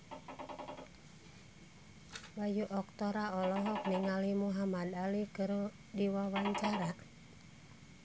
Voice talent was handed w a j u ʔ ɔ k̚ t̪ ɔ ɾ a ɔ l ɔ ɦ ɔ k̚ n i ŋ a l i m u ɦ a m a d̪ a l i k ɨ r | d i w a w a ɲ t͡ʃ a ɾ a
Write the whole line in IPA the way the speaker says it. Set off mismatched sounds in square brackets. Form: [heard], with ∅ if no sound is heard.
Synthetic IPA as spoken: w a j u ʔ ɔ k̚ t̪ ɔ ɾ a ɔ l ɔ ɦ ɔ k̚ n i ŋ a l i m u ɦ a m a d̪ a l i k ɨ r | d i w a w a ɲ t͡ʃ a ɾ a